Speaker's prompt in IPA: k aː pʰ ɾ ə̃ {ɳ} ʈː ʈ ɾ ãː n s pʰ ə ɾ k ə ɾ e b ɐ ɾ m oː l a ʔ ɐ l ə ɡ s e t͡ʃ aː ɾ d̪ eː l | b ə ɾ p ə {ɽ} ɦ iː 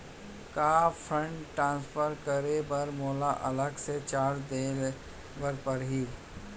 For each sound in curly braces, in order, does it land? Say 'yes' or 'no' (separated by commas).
yes, no